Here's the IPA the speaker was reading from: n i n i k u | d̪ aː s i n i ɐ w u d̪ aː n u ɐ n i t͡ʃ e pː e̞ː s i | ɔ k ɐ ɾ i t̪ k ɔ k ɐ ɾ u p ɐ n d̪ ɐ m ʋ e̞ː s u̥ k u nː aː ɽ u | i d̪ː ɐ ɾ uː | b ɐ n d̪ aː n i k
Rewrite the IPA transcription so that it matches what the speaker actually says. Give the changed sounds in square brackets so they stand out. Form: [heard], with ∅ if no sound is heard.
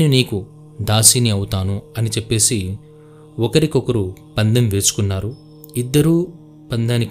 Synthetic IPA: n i n [iː] k u | d̪ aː s i n i ɐ w u [t̪] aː n u ɐ n i t͡ʃ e pː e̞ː s i | ɔ k ɐ ɾ i [∅] k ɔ k ɐ ɾ u p ɐ n d̪ ɐ m ʋ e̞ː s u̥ k u nː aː [ɾ] u | i d̪ː ɐ ɾ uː | [p] ɐ n d̪ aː n i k